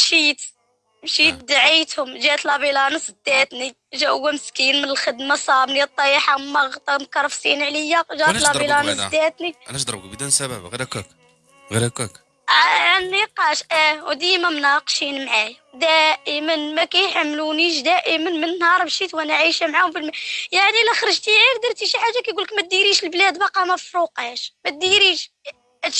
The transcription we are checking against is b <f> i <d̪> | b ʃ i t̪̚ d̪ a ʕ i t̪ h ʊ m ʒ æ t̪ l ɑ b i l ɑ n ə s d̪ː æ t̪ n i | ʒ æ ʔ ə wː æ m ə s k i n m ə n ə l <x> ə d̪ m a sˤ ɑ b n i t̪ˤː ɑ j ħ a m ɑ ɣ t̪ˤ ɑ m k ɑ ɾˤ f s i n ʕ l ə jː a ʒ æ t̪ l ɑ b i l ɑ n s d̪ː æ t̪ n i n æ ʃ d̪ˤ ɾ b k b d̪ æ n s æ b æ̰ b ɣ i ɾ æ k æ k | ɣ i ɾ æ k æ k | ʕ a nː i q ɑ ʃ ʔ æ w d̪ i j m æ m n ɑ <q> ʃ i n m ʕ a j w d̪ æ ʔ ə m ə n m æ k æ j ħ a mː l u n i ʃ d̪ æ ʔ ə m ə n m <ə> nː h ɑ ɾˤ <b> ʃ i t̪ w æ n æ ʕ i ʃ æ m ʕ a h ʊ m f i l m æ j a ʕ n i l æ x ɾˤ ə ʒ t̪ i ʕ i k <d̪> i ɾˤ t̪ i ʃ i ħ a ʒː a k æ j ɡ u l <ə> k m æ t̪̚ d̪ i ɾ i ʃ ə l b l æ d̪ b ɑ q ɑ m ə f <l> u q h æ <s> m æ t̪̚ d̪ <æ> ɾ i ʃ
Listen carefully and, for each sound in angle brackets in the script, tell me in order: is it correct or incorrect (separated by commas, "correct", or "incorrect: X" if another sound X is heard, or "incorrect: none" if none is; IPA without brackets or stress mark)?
incorrect: ʃ, incorrect: t̪, correct, correct, correct, correct, correct, correct, incorrect: ɾ, incorrect: ʃ, incorrect: i